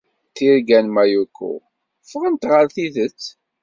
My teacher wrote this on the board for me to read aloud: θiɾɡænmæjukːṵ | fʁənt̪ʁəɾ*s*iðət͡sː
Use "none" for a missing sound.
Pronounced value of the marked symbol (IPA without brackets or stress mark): θ